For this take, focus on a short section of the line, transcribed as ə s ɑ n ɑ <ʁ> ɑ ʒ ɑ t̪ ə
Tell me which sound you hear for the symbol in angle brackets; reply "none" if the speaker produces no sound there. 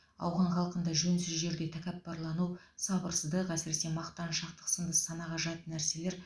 ʁ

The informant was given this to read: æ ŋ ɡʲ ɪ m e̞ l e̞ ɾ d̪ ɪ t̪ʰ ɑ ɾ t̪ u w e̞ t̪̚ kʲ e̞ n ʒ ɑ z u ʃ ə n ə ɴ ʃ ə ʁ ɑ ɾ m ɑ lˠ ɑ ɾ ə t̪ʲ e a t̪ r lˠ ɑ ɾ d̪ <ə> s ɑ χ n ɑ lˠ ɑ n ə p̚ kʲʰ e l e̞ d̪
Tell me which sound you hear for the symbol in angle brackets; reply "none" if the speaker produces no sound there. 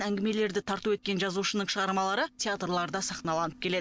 ɑ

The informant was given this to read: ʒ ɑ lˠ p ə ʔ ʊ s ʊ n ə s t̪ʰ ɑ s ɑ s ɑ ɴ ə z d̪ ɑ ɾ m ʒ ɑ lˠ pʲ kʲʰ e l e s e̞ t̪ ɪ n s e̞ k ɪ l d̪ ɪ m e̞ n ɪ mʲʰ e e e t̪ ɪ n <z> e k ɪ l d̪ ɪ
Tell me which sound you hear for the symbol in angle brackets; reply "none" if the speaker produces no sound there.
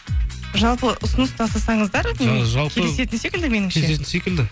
s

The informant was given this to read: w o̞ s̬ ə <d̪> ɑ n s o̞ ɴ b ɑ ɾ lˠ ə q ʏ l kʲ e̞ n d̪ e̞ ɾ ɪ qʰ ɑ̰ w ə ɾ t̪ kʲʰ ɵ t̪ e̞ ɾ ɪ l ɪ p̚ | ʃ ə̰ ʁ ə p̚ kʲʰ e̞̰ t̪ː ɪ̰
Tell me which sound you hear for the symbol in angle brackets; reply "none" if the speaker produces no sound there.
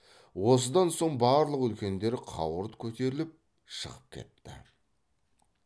d̪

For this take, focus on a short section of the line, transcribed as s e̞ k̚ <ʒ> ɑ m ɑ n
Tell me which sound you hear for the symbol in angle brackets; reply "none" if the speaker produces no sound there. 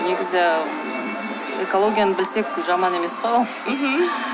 ʒ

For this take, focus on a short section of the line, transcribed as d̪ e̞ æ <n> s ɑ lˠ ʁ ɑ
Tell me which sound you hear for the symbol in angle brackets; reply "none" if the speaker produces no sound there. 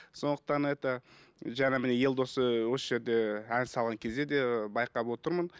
n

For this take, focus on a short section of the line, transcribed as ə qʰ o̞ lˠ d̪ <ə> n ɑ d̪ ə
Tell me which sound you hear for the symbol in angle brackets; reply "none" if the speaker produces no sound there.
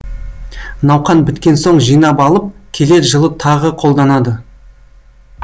ɑ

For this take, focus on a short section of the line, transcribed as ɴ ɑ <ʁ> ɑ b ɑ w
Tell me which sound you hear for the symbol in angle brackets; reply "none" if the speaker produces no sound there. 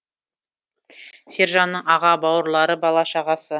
ʁ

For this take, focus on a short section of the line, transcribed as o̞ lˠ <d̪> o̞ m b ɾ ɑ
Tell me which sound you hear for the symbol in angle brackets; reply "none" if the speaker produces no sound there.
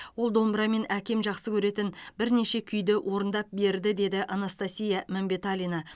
d̪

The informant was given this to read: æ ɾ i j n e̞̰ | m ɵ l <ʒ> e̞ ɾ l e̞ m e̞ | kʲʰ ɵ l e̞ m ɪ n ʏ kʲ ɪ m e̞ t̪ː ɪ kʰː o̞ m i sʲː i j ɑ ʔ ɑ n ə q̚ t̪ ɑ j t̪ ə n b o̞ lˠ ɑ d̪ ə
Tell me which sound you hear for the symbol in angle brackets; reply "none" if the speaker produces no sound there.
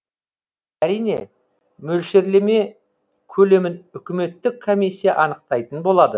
ʃ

